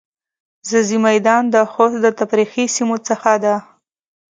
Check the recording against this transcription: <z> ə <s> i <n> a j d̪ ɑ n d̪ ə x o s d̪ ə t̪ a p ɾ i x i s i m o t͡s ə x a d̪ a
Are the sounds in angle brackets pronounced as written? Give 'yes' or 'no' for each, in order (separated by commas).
yes, no, no